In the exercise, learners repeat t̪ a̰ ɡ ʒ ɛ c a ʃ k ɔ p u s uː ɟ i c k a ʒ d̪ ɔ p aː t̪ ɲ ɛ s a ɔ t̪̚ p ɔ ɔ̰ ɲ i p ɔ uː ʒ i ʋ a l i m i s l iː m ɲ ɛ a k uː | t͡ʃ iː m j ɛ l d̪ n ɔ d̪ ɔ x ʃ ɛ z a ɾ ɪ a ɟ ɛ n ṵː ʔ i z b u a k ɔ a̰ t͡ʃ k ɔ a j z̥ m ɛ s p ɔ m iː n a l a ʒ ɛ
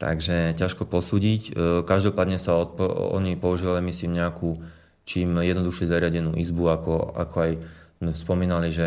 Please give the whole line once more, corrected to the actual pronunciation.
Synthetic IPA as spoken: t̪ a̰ ɡ ʒ ɛ c a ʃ k ɔ p ɔ s uː ɟ i c k a ʒ d̪ ɔ p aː d̪ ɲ ɛ s a ɔ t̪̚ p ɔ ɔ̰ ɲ i p ɔ u ʒ i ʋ a l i m i s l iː m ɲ ɛ a k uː | t͡ʃ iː m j ɛ d̪ n ɔ d̪ u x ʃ ɛ z a ɾ ɪ a ɟ ɛ n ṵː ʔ i z b u a k ɔ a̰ k ɔ a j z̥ m ɛ s p ɔ m iː n a l i ʒ ɛ